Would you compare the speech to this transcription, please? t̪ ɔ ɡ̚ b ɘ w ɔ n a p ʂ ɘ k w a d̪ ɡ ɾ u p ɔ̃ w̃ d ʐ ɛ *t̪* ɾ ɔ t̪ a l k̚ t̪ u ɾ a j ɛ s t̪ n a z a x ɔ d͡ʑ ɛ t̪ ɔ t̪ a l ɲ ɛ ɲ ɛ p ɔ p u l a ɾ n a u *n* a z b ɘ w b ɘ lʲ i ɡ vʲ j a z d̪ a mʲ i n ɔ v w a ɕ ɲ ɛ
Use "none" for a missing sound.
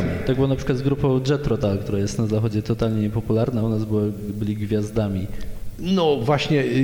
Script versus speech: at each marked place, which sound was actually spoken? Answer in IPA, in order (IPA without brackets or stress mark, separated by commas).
t̪, n